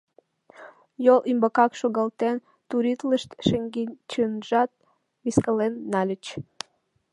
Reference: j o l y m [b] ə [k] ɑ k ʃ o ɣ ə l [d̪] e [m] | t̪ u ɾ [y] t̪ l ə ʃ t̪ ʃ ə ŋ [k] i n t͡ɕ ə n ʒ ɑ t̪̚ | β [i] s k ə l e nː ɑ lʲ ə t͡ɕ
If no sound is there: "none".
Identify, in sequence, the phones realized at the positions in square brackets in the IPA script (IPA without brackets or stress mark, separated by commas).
b, k, t̪, n, i, ɡ, i